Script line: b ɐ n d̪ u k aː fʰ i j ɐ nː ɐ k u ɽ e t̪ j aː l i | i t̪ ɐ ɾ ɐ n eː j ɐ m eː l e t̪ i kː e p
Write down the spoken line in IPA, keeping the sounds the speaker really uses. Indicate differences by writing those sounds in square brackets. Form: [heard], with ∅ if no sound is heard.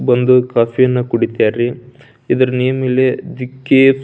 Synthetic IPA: b ɐ n d̪ u k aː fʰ i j ɐ nː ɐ k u ɽ [i] t̪ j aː [ɾ] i | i [d̪] ɐ ɾ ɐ n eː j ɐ m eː l e [d̪] i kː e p